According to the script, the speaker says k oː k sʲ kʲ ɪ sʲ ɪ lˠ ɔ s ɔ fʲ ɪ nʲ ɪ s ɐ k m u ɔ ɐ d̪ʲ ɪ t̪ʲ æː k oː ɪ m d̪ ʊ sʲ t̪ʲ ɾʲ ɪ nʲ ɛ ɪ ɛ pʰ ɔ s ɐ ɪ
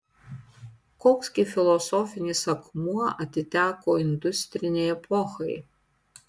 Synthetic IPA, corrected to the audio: k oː k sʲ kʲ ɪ fʲ ɪ lˠ ɔ s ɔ fʲ ɪ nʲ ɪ s ɐ k m u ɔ ɐ t̪ʲ ɪ t̪ʲ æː k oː ɪ n d̪ ʊ sʲ t̪ʲ ɾʲ ɪ nʲ ɛ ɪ ɛ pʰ ɔ x ɐ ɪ